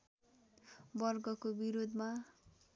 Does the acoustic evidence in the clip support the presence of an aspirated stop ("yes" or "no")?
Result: no